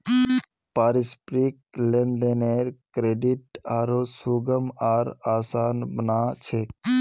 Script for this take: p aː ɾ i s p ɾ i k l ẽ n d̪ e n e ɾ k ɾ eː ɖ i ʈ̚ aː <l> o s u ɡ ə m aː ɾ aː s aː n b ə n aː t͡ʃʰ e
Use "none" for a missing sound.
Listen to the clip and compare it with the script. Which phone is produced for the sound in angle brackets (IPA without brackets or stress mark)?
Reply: ɾ